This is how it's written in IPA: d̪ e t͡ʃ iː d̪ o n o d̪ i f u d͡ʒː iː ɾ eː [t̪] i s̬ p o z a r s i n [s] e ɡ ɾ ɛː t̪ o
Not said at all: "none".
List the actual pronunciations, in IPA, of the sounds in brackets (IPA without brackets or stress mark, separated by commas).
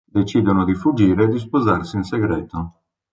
d̪, s